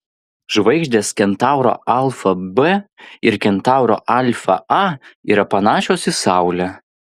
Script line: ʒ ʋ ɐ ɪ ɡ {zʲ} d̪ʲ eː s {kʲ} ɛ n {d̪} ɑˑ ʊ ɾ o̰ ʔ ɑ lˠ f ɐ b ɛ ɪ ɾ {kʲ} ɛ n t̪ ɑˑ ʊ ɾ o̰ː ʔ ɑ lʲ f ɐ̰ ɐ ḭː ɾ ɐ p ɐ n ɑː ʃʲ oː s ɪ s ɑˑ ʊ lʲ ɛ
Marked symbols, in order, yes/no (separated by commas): no, yes, no, yes